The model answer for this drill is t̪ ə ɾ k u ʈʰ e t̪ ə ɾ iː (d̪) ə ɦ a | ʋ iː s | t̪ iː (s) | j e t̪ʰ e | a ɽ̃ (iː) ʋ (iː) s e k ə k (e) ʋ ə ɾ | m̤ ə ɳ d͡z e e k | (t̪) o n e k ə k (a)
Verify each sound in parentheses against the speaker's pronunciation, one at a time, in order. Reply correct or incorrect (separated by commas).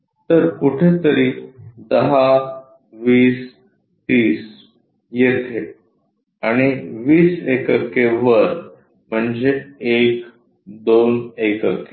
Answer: correct, correct, incorrect, correct, correct, incorrect, incorrect